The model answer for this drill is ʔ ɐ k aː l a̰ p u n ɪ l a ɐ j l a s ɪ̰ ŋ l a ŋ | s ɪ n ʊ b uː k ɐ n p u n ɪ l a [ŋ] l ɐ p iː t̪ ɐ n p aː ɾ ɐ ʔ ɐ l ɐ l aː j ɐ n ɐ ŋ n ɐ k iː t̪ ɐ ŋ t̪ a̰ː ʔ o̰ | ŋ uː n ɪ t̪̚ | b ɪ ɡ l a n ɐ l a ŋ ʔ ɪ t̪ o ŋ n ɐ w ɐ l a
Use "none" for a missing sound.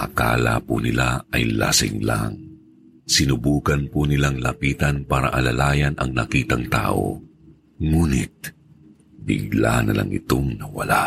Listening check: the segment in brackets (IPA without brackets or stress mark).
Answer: ŋ